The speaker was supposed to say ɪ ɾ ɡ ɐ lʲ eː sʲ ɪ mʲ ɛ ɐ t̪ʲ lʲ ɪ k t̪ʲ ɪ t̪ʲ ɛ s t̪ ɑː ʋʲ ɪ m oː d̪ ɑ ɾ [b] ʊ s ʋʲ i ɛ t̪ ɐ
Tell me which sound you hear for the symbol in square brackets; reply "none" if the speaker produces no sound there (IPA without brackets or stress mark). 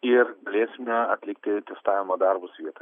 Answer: b